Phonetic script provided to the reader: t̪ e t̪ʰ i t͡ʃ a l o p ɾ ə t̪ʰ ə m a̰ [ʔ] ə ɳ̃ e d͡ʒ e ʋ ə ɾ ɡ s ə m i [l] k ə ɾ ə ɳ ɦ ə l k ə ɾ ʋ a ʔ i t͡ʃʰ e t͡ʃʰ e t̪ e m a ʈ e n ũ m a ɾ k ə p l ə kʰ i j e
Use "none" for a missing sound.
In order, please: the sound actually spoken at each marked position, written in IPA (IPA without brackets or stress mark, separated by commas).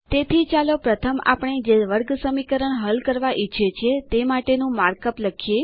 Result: p, none